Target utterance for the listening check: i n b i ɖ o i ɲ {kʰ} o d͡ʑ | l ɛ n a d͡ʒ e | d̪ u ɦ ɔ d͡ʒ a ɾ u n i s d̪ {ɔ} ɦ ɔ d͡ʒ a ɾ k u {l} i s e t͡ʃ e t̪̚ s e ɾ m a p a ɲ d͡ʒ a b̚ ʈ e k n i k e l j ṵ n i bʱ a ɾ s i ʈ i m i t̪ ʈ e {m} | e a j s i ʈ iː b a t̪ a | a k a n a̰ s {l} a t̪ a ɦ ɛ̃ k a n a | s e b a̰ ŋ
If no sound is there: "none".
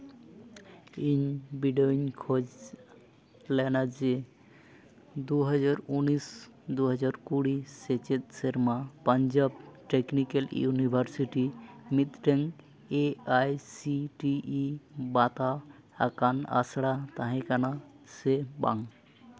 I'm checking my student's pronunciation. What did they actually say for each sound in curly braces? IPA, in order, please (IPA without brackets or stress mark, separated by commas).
kʰ, u, ɽ, ŋ, ɽ